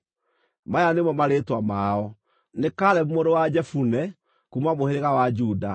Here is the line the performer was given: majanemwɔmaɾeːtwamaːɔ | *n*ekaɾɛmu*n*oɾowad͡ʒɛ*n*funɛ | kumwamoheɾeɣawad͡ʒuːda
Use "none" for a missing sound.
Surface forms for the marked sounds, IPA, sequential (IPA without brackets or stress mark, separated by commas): n, m, none